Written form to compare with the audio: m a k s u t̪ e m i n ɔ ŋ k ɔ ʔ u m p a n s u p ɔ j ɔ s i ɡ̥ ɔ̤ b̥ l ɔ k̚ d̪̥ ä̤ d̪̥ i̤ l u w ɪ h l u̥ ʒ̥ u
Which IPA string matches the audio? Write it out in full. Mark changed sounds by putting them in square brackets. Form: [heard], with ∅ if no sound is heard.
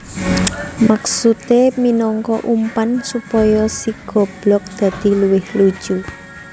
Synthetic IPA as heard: m a k s u t̪ e m i n ɔ ŋ k ɔ ʔ u m p a n s u p ɔ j ɔ s i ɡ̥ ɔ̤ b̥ l ɔ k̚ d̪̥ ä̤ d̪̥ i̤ l u w ɪ h l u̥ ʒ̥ u